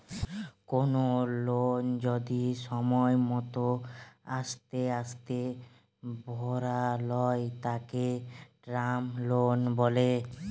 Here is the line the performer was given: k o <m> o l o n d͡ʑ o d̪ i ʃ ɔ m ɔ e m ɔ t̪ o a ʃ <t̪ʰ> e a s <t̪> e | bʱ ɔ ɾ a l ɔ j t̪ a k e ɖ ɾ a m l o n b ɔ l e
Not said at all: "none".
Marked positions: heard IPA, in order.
n, t̪, t̪

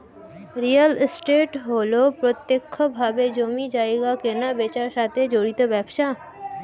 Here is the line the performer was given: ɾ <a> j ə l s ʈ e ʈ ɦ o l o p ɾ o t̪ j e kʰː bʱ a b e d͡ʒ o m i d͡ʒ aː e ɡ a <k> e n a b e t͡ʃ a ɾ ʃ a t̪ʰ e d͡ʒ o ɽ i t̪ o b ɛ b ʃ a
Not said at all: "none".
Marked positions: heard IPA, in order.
i, k

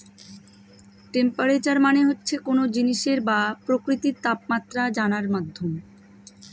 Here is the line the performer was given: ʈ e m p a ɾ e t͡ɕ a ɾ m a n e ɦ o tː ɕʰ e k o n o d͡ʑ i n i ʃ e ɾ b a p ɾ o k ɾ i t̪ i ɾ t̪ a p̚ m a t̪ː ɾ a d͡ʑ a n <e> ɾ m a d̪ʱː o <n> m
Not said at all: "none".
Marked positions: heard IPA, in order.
a, none

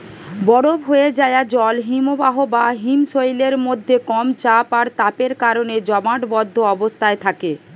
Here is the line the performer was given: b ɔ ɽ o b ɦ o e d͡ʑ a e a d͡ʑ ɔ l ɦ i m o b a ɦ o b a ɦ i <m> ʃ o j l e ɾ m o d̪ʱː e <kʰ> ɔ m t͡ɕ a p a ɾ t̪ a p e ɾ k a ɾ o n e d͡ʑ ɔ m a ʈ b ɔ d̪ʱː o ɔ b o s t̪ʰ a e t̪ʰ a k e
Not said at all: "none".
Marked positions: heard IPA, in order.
m, k

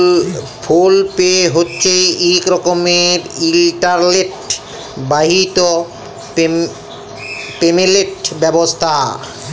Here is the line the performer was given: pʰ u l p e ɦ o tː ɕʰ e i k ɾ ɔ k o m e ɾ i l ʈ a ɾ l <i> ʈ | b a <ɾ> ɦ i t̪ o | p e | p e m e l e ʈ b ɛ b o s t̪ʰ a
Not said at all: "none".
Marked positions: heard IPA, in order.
e, none

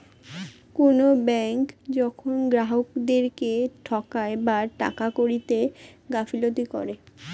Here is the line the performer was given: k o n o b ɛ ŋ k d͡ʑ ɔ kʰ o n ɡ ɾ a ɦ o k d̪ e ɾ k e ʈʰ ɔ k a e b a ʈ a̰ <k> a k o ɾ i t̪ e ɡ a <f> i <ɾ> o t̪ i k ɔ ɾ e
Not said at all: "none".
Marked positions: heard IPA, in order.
k, f, l

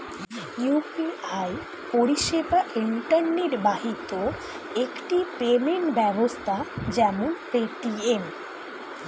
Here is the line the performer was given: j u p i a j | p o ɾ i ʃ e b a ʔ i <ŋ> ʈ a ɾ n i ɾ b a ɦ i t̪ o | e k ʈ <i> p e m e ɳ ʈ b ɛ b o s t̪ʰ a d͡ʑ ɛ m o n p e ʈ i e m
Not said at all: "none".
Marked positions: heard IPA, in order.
ɳ, i

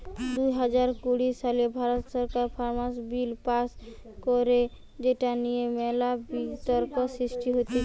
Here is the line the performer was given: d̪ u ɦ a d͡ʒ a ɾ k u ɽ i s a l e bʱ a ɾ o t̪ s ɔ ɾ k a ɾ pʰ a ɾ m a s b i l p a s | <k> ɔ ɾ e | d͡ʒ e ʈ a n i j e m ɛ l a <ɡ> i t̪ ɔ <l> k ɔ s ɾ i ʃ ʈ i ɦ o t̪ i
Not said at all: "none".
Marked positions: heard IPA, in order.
k, b, ɾ

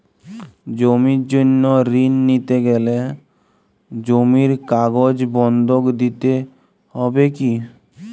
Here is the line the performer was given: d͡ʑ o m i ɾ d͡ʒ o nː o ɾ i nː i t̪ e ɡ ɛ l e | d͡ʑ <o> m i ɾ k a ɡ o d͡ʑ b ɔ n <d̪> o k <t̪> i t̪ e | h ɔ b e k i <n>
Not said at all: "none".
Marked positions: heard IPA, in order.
o, d̪, d̪, none

